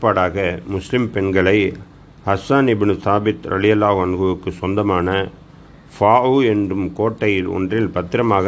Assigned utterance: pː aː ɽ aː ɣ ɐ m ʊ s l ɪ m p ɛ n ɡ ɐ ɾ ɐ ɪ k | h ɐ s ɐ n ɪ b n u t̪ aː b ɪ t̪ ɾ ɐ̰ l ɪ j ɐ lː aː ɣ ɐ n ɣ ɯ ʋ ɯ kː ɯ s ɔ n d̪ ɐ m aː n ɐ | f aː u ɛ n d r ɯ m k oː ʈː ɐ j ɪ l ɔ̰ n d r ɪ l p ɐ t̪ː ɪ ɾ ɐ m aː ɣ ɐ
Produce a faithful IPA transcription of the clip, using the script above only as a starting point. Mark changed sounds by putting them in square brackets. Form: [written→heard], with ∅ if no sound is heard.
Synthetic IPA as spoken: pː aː ɽ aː ɣ ɐ m ʊ s l ɪ m p ɛ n ɡ ɐ [ɾ→ɭ] ɐ ɪ [k→∅] | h ɐ s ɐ n ɪ b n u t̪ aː b ɪ t̪ ɾ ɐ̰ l ɪ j ɐ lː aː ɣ ɐ n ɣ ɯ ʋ ɯ kː ɯ s ɔ n d̪ ɐ m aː n ɐ | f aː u ɛ n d r ɯ m k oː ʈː ɐ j ɪ l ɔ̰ n d r ɪ l p ɐ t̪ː ɪ ɾ ɐ m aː ɣ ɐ